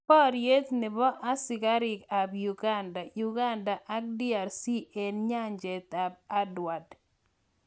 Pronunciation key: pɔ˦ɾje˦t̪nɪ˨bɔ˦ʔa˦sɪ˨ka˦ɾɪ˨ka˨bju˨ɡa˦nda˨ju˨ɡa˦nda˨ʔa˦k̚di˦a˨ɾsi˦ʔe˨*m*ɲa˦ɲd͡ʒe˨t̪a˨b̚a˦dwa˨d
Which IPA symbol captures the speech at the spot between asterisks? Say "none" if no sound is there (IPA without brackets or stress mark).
n